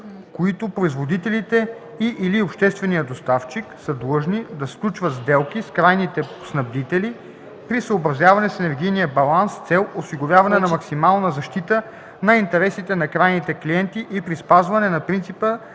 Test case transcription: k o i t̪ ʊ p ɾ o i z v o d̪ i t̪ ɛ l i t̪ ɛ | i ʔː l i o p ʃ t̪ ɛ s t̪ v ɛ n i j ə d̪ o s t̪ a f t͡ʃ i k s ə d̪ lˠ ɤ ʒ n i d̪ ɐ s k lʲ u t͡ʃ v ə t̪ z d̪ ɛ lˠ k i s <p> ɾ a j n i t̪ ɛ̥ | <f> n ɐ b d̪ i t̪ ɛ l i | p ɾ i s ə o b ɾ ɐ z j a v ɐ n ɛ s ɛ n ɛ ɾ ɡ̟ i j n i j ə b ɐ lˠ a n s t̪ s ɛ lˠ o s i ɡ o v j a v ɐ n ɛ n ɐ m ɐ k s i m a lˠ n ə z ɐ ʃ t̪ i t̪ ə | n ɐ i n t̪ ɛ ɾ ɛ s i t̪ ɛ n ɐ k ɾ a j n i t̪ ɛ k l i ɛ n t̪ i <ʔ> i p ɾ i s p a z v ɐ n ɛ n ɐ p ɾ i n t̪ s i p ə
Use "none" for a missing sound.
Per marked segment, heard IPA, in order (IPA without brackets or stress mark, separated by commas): k, s, ʔ